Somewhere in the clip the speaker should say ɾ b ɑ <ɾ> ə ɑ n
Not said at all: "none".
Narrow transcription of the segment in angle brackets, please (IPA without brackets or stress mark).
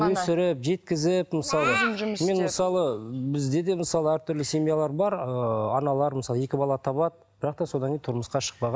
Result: ɾ